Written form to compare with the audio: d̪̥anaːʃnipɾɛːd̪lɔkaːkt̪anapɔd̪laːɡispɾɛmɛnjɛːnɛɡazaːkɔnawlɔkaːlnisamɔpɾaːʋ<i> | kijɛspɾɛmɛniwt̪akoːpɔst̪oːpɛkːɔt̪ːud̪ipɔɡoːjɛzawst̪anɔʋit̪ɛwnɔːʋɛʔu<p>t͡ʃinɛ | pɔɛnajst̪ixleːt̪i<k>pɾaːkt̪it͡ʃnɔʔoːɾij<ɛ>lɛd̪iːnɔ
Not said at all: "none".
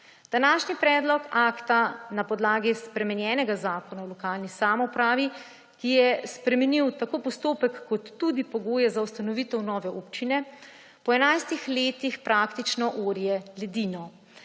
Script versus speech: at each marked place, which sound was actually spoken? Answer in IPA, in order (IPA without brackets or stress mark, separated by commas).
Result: i, p, x, ɛ